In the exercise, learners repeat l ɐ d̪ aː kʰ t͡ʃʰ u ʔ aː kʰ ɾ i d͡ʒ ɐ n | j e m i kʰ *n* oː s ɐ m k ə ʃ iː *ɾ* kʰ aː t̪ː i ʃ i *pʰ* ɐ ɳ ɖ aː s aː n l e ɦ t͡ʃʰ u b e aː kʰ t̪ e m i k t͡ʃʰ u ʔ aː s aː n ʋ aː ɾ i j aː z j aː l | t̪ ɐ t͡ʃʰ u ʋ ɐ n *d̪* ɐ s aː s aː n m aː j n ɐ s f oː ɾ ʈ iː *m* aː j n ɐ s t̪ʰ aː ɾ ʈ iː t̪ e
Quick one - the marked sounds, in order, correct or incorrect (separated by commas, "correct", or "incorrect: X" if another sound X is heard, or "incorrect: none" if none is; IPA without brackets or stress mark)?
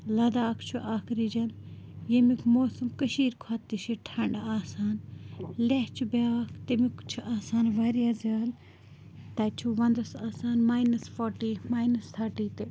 incorrect: m, correct, incorrect: ʈʰ, correct, correct